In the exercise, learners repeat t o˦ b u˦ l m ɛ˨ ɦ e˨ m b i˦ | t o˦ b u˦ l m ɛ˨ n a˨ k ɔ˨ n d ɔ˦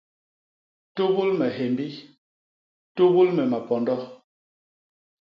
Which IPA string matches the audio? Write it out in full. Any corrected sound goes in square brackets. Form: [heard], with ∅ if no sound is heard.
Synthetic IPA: t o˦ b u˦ l m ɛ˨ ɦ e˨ m b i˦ | t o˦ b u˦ l m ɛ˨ [m] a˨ [p] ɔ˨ n d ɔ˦